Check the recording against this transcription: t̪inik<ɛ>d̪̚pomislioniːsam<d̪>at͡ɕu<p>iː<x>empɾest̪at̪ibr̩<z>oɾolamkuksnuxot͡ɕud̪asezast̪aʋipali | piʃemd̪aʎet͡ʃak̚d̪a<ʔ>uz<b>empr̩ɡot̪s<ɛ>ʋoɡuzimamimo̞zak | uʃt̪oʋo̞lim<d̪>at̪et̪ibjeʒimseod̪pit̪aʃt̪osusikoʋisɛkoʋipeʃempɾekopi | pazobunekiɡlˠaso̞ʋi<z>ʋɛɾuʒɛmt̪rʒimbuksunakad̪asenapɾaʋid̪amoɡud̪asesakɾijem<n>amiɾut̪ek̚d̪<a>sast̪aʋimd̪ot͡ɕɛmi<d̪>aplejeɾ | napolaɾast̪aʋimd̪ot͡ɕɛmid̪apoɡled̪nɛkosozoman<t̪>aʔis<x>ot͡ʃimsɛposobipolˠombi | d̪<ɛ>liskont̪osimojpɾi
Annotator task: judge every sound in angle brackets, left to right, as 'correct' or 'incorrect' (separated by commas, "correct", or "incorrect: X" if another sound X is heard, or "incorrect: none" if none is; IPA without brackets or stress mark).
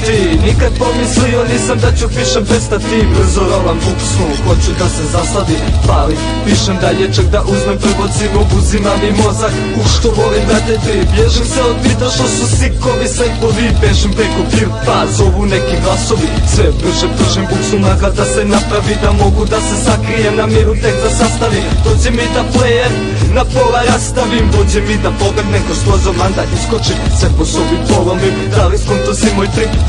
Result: incorrect: a, correct, correct, incorrect: ʃ, correct, correct, incorrect: m, incorrect: i, correct, incorrect: s, correct, correct, correct, incorrect: d̪, incorrect: k, incorrect: a